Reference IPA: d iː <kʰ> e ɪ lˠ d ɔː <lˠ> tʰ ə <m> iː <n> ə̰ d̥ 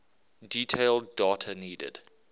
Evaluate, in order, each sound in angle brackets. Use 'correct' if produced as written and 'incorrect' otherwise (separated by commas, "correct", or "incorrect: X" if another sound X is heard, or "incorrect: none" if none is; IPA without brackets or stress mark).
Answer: incorrect: tʰ, incorrect: none, incorrect: n, incorrect: d